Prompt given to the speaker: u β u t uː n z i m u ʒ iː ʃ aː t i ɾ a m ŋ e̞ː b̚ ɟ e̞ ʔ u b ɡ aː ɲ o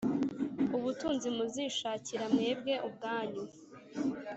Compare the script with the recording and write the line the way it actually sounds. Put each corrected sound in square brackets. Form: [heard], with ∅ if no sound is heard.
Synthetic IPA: u β u t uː n z i m u [z] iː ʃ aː [c] i ɾ a m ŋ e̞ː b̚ [ɡ] e̞ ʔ u b ɡ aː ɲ [u]